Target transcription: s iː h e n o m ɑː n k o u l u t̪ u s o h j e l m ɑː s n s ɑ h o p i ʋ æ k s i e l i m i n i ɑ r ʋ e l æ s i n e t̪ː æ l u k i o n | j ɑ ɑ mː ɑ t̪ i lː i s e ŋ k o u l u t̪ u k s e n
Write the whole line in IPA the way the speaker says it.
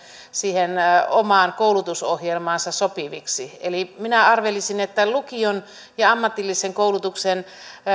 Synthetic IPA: s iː h e n o m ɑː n k o u l u t̪ u s o h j e l m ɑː n s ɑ s o p i ʋ i k s i e l i m i n æ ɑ r ʋ e l i s i n e t̪ː æ l u k i o n | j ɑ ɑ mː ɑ t̪ i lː i s e ŋ k o u l u t̪ u k s e n